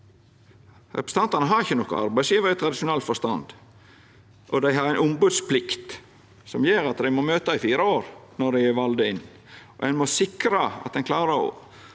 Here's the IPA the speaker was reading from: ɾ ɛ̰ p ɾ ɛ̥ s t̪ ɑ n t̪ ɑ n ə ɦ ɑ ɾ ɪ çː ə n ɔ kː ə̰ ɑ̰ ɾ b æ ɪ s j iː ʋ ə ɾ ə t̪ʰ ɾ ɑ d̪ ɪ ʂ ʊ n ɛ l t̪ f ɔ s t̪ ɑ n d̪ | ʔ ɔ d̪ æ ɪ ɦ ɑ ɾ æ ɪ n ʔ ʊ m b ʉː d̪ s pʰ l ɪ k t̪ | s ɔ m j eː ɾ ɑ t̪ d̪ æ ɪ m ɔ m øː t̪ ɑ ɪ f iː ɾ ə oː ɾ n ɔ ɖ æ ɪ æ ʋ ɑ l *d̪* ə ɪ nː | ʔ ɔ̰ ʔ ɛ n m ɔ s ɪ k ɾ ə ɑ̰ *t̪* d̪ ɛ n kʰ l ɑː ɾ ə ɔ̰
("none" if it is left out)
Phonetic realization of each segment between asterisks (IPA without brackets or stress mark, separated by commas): d̪, t̪